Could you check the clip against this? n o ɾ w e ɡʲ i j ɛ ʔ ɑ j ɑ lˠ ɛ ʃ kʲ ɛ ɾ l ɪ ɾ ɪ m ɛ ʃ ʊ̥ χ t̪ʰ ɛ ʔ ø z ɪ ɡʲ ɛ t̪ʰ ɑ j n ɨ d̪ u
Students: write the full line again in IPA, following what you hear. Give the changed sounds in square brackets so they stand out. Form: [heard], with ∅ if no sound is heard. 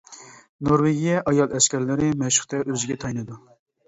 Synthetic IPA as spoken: n o ɾ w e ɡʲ i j ɛ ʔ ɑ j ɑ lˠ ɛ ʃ kʲ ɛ ɾ l ɪ ɾ ɪ m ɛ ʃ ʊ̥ χ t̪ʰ ɛ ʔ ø z ɪ ɡʲ ɛ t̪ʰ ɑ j n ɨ d̪ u